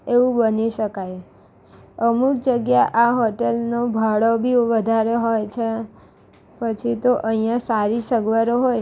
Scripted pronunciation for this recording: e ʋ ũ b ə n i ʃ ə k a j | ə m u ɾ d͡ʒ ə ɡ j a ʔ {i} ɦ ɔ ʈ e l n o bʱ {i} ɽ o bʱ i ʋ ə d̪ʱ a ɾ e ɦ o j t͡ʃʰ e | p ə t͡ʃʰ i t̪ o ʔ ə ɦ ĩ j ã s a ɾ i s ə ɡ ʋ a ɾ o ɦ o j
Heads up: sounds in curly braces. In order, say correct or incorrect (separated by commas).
incorrect, incorrect